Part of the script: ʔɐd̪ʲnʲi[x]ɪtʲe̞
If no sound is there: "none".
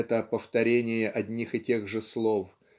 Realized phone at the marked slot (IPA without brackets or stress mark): x